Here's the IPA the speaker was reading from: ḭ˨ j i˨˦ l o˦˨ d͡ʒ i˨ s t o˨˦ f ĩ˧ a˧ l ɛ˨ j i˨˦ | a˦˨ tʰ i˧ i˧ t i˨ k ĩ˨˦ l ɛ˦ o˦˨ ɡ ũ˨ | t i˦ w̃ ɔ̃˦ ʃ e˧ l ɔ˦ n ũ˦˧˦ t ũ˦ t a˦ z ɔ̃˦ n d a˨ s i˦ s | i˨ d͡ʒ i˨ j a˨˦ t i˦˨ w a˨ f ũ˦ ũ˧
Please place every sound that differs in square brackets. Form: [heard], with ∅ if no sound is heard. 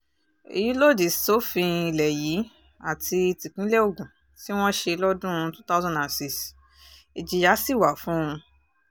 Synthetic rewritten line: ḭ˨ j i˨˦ l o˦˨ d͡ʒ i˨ s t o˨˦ f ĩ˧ [i˧] l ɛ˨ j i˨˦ | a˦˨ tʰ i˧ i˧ t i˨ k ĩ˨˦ l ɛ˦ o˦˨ ɡ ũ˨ | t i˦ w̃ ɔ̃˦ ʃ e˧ l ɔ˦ [d] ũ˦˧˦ t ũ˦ t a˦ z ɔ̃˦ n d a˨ s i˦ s | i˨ d͡ʒ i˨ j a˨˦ [s] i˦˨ w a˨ f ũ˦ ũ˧